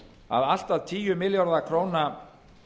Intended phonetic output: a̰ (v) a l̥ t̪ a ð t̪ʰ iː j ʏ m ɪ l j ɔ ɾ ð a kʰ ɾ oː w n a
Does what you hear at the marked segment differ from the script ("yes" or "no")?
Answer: yes